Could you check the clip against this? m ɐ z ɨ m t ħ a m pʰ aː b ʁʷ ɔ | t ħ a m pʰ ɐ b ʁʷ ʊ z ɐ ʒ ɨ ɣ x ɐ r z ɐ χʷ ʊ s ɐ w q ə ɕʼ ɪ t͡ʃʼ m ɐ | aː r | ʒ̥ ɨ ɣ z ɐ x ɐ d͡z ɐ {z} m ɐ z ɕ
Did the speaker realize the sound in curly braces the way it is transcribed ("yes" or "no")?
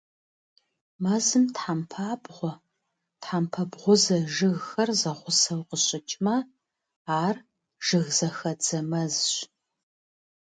no